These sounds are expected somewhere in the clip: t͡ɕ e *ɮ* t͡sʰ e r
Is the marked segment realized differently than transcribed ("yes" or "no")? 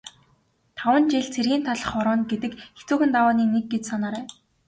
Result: no